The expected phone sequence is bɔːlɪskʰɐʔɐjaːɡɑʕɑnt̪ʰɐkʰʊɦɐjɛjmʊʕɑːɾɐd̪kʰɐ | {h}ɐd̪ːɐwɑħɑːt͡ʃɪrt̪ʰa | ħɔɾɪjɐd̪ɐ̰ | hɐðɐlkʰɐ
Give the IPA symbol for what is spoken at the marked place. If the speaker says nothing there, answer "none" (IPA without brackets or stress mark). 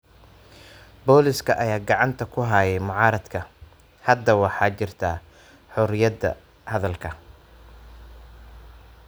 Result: h